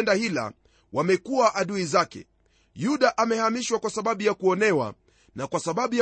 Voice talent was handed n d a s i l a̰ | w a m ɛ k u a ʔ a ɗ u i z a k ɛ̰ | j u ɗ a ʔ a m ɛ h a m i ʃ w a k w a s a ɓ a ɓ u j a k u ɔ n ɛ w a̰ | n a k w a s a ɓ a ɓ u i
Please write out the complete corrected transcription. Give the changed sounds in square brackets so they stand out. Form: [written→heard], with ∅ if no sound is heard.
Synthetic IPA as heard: n d a [s→h] i l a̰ | w a m ɛ k u a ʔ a ɗ u i z a k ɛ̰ | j u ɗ a ʔ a m ɛ h a m i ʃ w a k w a s a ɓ a ɓ u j a k u ɔ n ɛ w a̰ | n a k w a s a ɓ a ɓ u [i→j]